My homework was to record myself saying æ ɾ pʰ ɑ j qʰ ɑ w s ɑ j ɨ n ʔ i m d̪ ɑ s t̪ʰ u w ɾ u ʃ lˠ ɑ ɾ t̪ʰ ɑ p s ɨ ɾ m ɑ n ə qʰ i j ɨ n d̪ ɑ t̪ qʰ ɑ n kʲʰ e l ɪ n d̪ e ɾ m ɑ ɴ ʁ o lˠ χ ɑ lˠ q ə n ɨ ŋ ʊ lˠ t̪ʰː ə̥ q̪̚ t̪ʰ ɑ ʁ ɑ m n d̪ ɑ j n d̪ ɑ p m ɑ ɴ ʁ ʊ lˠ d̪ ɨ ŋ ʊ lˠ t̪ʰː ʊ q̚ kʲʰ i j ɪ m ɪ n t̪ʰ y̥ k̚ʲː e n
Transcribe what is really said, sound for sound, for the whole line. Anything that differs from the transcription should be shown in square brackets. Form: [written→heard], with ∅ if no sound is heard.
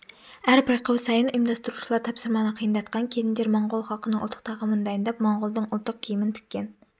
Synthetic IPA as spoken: æ ɾ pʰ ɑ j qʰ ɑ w s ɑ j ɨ n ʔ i m d̪ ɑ s [t̪ʰ→t̪] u [w→∅] ɾ u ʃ lˠ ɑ ɾ t̪ʰ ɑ p s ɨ ɾ m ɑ n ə qʰ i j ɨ n d̪ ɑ t̪ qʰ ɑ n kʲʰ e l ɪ n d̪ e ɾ m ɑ ɴ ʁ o lˠ χ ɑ lˠ q ə n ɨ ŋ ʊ lˠ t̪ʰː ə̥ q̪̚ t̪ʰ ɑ ʁ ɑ m n d̪ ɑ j n d̪ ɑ p m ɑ ɴ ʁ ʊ lˠ d̪ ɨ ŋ ʊ lˠ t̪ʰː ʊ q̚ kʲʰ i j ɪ m ɪ n t̪ʰ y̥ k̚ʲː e n